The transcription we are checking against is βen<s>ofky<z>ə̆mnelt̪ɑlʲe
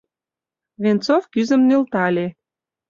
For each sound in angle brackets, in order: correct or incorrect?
incorrect: t͡s, correct

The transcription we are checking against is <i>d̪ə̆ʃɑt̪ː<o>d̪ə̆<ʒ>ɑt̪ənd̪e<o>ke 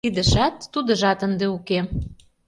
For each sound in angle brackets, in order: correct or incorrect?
correct, incorrect: u, correct, incorrect: u

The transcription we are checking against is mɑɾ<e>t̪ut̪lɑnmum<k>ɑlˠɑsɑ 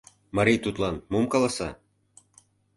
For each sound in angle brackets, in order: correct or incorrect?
incorrect: i, correct

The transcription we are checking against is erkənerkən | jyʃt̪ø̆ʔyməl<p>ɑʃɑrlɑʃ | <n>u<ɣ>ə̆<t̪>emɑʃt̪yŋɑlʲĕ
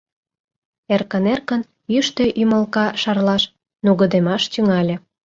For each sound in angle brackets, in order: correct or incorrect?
incorrect: k, correct, correct, incorrect: d̪

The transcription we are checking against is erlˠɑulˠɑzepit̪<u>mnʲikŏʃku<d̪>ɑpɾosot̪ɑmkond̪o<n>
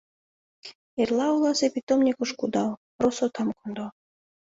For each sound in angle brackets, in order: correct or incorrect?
incorrect: o, correct, incorrect: none

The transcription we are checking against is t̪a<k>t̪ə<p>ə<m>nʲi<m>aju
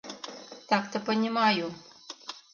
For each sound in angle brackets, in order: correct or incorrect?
correct, correct, incorrect: none, correct

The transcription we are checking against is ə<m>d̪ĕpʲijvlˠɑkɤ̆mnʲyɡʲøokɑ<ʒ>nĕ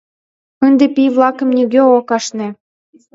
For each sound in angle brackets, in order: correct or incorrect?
incorrect: n, incorrect: ʃ

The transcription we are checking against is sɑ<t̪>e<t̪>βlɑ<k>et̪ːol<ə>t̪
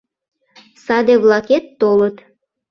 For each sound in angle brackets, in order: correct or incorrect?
incorrect: d̪, incorrect: none, correct, correct

